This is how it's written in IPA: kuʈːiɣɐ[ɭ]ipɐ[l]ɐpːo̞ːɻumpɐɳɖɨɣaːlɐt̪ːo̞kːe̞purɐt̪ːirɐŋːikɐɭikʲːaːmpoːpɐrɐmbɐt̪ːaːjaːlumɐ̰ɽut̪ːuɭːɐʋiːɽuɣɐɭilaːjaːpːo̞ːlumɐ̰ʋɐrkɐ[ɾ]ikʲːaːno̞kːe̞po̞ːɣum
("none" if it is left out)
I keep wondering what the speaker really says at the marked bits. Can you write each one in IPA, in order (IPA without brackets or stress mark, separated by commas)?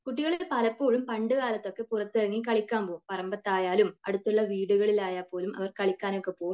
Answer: ɭ, l, ɭ